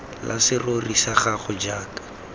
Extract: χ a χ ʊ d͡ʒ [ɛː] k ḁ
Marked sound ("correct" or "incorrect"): incorrect